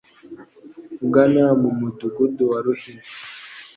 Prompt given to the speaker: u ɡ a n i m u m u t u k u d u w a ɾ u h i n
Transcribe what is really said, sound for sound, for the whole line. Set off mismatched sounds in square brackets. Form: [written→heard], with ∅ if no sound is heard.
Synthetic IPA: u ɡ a n [i→a] m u m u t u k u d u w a ɾ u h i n